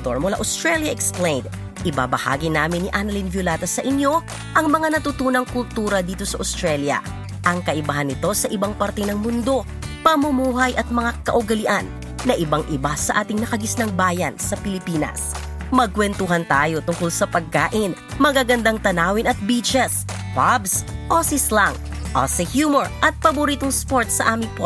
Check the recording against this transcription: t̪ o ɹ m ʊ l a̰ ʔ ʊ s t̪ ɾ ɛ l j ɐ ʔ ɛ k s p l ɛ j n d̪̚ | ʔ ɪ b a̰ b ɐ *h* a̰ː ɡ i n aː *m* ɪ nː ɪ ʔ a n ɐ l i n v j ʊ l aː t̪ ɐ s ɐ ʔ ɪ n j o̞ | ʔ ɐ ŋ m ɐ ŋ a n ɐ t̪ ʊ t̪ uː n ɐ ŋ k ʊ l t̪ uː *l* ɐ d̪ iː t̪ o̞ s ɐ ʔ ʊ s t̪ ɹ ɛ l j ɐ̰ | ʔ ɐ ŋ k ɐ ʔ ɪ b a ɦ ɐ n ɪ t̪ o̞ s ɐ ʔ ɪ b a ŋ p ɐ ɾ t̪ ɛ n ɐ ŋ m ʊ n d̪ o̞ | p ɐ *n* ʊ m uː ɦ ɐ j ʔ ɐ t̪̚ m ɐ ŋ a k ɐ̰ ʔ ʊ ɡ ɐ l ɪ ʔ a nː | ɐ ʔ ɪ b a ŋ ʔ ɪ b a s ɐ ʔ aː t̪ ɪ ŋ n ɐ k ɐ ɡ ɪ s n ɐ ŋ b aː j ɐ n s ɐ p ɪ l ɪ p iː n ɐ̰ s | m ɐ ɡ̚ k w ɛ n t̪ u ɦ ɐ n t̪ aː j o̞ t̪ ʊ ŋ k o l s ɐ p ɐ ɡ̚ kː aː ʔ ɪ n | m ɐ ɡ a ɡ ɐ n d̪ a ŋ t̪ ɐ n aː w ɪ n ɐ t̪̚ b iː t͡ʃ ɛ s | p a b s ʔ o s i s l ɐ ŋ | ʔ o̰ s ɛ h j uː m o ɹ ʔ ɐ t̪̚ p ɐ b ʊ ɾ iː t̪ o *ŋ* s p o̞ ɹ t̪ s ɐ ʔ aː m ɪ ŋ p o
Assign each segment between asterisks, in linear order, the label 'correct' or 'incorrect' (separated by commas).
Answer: correct, correct, incorrect, incorrect, correct